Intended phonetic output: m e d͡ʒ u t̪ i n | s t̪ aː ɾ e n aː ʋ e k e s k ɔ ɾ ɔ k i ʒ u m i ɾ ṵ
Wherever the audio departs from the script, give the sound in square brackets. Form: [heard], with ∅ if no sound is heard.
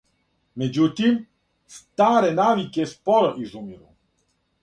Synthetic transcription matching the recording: m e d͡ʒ u t̪ i [m] | s t̪ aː ɾ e n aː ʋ [i] k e s [p] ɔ ɾ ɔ [ʔ] i [z] u m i ɾ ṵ